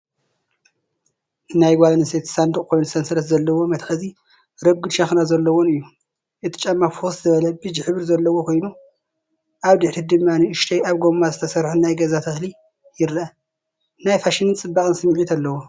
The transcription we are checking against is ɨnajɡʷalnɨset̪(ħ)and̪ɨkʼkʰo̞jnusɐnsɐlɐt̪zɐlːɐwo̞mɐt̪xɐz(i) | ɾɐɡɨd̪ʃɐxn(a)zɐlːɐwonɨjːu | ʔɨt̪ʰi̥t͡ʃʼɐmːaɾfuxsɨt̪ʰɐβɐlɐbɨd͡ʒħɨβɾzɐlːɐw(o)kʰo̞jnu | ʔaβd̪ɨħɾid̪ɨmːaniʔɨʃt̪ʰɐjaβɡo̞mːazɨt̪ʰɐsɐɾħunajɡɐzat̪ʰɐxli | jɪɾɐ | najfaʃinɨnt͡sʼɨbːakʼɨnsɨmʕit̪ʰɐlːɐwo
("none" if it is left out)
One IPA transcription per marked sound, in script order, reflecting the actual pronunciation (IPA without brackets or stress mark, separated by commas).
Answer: s, i, a, o